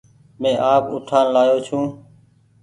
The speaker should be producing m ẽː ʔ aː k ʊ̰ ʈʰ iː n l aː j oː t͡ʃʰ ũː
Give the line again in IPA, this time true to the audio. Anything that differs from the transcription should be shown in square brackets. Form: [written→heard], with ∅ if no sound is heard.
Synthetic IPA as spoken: m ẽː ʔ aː [k→p] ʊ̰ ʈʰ [iː→aː] n l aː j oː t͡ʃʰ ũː